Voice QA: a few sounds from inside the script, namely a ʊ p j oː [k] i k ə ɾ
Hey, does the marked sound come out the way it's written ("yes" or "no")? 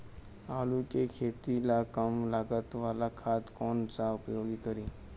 no